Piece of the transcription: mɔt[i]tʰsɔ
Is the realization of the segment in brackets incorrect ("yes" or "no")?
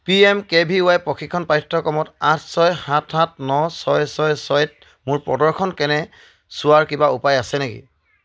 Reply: yes